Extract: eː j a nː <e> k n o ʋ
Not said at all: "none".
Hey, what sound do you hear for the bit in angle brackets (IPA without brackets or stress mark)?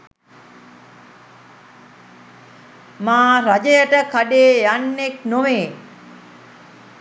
e